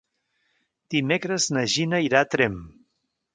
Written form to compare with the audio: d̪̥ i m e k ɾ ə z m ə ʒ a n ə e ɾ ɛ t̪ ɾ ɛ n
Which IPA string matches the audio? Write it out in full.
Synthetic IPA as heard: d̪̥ i m e k ɾ ə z n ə ʒ i n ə i ɾ a t̪ ɾ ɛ m